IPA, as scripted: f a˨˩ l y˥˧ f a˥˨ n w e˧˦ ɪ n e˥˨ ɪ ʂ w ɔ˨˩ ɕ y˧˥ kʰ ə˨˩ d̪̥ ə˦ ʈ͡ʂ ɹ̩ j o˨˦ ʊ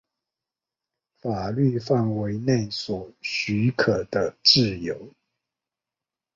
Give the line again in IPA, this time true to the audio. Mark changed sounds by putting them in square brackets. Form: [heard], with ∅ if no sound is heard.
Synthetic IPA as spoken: f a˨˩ l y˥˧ f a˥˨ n w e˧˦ ɪ n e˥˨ ɪ [s] w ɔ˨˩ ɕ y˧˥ kʰ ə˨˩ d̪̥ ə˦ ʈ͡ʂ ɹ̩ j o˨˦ ʊ